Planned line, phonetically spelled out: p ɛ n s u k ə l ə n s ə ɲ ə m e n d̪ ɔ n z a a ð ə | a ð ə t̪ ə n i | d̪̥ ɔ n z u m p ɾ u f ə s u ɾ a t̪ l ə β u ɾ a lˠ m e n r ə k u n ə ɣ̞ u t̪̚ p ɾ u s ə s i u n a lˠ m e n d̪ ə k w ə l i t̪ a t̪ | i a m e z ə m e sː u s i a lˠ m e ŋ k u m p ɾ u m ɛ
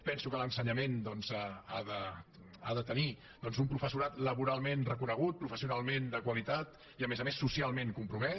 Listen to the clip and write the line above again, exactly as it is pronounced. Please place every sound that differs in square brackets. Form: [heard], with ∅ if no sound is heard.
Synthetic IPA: p ɛ n s u k ə l ə n s ə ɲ ə m e n d̪ ɔ n z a a ð ə | a ð ə t̪ ə n i | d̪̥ ɔ n z u m p ɾ u f ə s u ɾ a t̪ l ə β u ɾ a lˠ m e n r ə k u n ə ɣ̞ u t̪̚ p ɾ u [f] ə s i u n a lˠ m e n d̪ ə k w ə l i t̪ a t̪ | i [ə] m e z ə m e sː u s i a lˠ m e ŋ k u m p ɾ u m ɛ